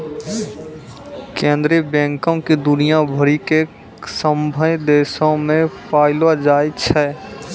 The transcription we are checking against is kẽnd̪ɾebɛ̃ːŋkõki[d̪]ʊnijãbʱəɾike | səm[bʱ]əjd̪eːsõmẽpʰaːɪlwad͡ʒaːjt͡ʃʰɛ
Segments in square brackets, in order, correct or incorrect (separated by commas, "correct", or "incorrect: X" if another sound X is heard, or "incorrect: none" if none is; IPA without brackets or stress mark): correct, correct